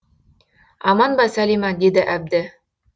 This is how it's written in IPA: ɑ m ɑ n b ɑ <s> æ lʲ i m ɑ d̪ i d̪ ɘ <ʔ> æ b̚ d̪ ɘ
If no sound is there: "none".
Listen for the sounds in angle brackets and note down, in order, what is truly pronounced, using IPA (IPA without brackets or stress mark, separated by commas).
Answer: s, ʔ